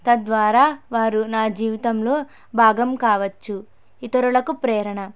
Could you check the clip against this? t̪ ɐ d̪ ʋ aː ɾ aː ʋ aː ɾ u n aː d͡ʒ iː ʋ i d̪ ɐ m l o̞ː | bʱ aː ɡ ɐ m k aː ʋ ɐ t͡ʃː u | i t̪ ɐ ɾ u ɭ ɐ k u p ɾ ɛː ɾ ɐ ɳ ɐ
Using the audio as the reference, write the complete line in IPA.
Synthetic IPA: t̪ ɐ d̪ ʋ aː ɾ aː ʋ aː ɾ u n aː d͡ʒ iː ʋ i t̪ ɐ m l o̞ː | bʱ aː ɡ ɐ m k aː ʋ ɐ t͡ʃː u | i t̪ ɐ ɾ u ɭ ɐ k u p ɾ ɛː ɾ ɐ ɳ ɐ